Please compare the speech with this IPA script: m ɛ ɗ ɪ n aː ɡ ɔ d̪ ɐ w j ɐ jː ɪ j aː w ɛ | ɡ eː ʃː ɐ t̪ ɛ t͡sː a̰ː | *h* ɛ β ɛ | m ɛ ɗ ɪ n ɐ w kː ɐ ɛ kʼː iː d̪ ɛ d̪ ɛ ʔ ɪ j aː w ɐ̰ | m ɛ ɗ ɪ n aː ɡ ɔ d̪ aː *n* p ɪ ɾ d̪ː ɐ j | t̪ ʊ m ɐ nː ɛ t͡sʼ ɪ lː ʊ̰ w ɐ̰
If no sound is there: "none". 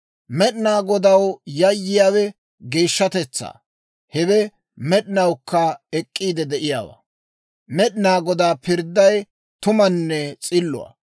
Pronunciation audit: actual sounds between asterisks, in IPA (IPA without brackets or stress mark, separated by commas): h, none